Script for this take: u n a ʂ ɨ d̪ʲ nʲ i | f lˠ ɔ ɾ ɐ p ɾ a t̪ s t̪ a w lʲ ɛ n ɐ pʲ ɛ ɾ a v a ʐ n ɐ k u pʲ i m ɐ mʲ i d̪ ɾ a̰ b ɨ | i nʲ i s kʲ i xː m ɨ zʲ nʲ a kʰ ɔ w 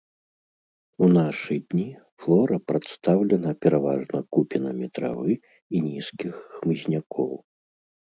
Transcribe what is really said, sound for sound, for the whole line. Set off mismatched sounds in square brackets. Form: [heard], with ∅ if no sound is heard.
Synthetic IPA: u n a ʂ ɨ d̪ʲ nʲ i | f lˠ ɔ ɾ ɐ p ɾ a t̪ s t̪ a w lʲ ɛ n ɐ pʲ ɛ ɾ a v a ʐ n ɐ k u pʲ i [n] ɐ mʲ i [t̪] ɾ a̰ [v] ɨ | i nʲ i s kʲ i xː m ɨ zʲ nʲ a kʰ ɔ w